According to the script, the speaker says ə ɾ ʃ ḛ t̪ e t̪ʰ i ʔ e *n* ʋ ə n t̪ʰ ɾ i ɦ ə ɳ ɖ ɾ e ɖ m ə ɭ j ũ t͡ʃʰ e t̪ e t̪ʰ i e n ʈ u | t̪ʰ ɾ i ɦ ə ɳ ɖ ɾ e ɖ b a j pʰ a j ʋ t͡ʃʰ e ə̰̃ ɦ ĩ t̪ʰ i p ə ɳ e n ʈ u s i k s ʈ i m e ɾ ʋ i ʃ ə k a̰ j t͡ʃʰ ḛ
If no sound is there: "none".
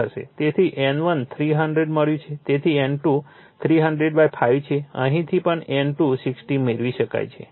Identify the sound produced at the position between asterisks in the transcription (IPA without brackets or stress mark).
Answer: n